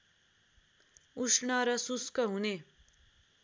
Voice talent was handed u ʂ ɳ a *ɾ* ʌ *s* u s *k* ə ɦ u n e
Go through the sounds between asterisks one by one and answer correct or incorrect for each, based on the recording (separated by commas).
correct, correct, correct